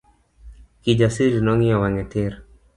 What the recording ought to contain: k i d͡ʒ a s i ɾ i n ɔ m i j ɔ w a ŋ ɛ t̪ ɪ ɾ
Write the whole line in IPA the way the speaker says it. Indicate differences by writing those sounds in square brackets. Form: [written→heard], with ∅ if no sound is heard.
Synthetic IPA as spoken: k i d͡ʒ a s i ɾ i n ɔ [m→ŋ] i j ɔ w a ŋ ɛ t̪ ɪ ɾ

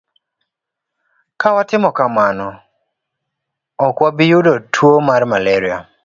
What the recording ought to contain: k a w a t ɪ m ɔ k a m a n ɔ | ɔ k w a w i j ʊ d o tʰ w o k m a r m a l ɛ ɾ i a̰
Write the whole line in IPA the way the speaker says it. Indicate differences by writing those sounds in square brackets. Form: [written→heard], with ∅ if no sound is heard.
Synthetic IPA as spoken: k a w a t ɪ m ɔ k a m a n ɔ | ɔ k w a [w→b] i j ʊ d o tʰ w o [k→∅] m a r m a l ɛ ɾ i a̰

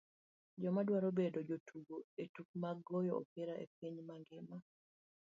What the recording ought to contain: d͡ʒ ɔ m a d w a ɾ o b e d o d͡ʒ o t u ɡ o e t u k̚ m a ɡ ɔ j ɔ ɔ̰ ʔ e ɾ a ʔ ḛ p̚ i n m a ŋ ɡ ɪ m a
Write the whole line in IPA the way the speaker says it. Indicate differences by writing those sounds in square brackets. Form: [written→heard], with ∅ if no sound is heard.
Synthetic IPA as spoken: d͡ʒ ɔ m a d w a ɾ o b e d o d͡ʒ o t u ɡ o e t u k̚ m a ɡ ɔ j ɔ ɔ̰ [ʔ→p] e ɾ a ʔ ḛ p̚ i [n→ɲ] m a ŋ ɡ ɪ m a

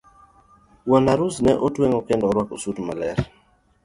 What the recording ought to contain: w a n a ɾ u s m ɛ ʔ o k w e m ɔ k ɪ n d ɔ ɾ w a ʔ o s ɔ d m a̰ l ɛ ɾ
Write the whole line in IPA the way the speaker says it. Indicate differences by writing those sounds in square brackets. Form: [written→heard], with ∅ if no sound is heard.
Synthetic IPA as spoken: w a n a ɾ u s [m→n] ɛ ʔ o [k→t] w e [m→ŋ] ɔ k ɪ n d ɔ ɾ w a [ʔ→k] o s [ɔ→u] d m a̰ l ɛ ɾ

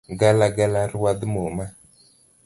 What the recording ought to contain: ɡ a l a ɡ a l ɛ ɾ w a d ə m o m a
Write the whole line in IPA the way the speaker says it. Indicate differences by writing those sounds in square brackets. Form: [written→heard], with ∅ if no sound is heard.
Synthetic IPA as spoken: ɡ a l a ɡ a l [ɛ→a] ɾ w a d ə m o m a

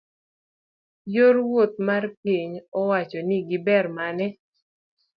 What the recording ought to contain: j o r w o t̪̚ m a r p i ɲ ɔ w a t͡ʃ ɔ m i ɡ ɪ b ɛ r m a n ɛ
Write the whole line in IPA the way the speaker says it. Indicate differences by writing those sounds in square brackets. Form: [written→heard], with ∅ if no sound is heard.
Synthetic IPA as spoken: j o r w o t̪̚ m a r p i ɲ ɔ w a t͡ʃ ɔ [m→n] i ɡ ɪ b ɛ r m a n ɛ

